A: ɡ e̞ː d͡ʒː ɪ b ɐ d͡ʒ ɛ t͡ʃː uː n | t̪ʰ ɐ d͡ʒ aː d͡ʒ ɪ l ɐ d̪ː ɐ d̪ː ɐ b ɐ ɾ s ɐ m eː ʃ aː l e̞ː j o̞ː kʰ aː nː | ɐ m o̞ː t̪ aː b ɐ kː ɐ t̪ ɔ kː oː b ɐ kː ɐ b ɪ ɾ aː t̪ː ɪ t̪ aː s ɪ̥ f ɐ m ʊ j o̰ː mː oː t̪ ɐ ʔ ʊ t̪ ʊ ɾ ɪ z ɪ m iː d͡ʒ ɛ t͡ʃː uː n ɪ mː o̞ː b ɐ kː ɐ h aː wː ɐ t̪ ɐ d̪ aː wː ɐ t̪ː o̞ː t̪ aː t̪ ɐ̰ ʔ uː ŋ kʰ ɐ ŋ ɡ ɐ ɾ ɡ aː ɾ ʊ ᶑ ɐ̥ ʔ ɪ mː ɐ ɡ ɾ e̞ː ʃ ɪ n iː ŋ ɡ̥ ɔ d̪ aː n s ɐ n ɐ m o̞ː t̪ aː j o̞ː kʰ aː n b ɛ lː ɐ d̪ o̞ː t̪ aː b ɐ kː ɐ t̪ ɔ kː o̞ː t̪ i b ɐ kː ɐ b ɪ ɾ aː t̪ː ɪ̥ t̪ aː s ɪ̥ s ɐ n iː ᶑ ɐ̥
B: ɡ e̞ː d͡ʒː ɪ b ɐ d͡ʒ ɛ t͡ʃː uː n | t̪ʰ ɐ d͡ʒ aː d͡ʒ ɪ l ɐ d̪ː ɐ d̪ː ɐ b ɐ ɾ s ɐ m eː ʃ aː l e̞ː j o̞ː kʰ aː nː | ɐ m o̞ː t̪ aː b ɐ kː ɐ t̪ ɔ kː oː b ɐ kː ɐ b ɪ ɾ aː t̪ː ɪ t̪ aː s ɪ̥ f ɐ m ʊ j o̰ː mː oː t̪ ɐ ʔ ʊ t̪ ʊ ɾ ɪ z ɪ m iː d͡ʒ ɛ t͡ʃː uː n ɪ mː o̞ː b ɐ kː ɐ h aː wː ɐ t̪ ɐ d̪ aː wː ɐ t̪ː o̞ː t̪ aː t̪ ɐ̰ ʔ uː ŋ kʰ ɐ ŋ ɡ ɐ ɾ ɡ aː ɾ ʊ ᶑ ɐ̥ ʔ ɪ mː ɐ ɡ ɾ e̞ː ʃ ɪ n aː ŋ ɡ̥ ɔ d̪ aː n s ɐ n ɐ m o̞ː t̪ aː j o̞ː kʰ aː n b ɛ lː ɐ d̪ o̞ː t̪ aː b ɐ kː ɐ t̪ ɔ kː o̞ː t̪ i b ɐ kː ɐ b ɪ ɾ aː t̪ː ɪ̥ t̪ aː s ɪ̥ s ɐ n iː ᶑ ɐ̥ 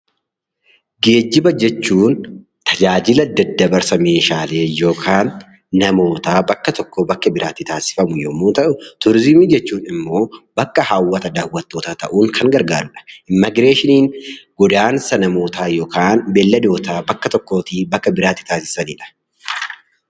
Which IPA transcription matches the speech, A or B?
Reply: A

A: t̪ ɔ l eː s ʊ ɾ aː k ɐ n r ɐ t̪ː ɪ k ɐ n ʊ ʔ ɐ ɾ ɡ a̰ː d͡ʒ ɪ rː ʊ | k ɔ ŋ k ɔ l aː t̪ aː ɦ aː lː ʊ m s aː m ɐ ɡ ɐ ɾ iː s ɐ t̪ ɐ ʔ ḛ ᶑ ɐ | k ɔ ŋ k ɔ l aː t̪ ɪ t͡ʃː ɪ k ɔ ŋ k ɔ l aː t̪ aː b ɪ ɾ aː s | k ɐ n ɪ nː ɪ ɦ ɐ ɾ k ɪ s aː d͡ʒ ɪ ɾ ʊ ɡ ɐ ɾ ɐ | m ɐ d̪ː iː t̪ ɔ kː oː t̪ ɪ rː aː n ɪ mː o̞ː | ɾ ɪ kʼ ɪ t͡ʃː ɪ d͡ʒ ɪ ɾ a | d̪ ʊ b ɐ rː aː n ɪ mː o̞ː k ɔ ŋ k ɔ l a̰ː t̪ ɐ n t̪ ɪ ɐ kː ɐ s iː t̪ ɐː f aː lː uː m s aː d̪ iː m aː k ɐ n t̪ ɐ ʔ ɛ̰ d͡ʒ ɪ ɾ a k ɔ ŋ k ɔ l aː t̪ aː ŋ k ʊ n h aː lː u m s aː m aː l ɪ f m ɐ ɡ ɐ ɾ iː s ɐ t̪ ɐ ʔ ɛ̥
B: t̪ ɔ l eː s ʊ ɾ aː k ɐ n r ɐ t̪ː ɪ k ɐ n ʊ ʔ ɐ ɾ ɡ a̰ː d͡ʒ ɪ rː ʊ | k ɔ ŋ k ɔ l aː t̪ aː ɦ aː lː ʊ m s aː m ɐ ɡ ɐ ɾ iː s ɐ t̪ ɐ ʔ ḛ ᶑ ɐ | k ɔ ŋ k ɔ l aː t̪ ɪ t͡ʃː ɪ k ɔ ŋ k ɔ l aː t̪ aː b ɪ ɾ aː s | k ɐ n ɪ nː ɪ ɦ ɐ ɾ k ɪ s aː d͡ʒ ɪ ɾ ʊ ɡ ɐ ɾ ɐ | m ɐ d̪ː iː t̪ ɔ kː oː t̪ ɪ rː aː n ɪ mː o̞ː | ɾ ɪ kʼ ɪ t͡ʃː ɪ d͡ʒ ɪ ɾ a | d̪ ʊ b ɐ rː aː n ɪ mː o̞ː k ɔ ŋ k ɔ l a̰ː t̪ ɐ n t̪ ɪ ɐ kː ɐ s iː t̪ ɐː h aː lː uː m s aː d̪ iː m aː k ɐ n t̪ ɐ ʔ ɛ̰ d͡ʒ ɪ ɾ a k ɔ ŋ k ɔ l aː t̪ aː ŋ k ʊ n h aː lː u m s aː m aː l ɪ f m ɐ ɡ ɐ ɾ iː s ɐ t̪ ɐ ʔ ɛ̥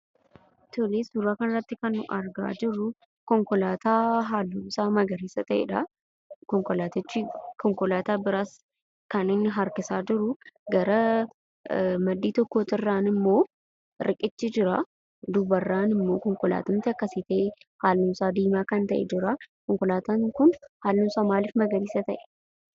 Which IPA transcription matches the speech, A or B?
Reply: B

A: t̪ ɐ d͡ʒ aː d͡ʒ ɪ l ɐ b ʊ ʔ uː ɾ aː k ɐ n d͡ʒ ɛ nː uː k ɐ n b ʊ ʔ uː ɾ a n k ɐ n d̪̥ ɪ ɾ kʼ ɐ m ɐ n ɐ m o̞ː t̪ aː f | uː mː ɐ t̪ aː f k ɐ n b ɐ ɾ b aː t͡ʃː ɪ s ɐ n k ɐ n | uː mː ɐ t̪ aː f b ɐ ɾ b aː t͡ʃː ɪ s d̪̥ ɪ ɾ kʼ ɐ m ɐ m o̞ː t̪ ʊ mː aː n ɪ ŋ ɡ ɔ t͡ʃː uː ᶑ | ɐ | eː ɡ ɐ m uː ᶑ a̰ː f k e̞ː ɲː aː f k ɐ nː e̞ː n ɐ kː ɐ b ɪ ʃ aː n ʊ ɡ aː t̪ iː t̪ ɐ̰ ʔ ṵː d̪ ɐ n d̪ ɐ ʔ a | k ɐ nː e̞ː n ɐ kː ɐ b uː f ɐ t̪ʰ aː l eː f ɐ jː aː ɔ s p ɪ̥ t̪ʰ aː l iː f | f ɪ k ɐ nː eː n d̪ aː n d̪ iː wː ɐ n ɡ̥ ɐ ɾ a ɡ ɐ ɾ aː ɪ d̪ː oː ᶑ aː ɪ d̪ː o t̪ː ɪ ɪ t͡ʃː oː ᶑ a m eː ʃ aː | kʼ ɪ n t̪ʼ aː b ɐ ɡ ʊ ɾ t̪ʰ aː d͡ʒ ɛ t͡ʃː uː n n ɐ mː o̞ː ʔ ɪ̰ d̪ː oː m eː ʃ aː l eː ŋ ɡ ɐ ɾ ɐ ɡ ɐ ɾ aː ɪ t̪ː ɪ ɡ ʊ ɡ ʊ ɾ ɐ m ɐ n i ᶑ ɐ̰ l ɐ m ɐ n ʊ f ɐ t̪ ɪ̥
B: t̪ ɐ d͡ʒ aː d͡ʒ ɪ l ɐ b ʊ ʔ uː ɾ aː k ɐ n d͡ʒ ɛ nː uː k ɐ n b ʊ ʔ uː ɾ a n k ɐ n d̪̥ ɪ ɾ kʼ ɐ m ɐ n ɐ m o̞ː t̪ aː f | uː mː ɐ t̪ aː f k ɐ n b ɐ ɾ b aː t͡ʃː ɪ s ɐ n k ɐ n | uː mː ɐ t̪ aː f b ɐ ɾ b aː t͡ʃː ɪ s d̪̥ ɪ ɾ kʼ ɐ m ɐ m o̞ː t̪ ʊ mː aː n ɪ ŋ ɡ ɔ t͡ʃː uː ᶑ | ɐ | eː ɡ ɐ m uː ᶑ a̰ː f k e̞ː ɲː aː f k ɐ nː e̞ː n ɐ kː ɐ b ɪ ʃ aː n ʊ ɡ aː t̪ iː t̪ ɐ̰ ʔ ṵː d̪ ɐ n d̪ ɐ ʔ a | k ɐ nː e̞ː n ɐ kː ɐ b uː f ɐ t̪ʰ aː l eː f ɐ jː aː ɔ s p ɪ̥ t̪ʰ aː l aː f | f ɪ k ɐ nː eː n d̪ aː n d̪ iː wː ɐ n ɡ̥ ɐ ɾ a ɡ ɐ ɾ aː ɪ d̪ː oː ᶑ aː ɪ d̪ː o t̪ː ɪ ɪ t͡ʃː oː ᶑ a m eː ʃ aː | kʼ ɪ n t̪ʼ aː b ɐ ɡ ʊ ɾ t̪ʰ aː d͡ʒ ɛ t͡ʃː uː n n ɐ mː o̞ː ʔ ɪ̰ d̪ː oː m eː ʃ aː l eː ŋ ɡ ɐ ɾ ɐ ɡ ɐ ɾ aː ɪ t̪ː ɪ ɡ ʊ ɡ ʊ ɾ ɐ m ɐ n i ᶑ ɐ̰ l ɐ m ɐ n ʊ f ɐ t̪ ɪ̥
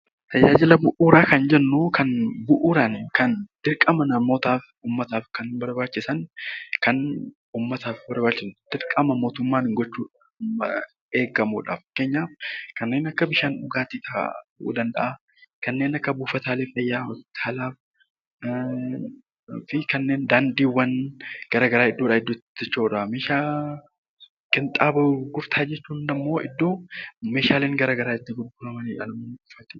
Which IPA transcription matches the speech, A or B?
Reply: B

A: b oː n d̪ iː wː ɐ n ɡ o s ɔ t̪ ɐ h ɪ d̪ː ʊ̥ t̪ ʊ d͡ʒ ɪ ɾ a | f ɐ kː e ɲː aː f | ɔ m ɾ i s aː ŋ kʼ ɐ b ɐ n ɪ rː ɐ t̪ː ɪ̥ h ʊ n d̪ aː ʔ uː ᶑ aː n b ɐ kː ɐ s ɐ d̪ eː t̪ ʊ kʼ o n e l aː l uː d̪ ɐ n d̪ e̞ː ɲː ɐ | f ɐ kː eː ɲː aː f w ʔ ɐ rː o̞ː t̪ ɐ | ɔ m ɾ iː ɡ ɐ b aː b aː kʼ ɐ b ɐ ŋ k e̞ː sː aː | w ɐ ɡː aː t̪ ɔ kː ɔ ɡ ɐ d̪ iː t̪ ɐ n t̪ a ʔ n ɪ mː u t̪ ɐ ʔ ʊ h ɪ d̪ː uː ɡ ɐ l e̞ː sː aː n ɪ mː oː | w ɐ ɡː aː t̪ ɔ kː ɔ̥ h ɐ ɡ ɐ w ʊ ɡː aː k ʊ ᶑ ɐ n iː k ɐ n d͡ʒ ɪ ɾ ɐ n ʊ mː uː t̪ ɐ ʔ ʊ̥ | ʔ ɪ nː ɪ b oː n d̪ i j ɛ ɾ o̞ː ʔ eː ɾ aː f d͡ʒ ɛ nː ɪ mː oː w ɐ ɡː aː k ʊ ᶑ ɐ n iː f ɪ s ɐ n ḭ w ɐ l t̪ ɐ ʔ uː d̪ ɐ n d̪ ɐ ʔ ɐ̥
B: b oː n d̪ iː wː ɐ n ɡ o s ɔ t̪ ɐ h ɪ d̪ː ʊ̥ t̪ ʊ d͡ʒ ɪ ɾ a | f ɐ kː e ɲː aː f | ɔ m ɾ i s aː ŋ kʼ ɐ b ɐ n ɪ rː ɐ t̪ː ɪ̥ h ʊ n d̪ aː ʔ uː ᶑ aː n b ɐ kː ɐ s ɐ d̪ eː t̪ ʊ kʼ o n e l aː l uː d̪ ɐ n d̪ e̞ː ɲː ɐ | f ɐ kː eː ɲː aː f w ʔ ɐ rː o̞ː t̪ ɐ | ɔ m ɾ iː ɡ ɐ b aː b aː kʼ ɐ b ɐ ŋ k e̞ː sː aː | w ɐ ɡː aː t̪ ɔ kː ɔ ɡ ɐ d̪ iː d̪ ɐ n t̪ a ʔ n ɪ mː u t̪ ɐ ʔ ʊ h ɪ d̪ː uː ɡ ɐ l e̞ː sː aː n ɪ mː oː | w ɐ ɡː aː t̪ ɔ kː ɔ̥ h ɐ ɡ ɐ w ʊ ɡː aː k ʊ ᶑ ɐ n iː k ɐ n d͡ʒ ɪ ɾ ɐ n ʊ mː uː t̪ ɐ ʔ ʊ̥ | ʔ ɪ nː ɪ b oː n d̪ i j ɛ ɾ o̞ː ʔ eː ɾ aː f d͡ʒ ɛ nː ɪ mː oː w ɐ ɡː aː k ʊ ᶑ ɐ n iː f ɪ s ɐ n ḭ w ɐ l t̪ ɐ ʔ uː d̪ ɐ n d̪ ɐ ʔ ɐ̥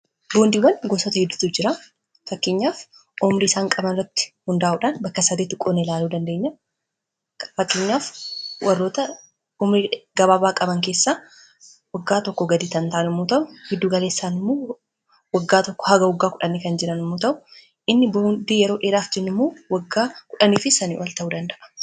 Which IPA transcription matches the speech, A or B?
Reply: A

